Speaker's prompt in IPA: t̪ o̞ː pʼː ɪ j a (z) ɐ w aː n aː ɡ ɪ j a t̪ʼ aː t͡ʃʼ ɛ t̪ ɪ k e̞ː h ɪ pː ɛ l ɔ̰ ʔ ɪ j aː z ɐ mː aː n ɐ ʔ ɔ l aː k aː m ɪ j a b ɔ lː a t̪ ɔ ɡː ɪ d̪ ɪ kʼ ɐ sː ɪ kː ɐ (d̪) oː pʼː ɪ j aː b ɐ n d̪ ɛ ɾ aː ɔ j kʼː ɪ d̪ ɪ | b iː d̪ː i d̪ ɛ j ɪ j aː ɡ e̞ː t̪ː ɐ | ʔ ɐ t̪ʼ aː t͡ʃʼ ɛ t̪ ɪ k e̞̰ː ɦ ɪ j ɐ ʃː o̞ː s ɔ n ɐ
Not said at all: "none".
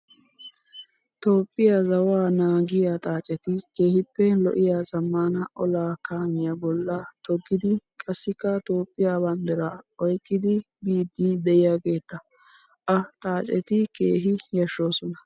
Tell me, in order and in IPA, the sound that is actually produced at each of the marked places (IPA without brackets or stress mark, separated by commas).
z, t̪